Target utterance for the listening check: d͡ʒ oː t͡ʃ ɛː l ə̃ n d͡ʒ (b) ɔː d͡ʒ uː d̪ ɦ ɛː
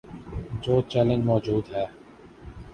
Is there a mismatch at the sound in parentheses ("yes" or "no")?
yes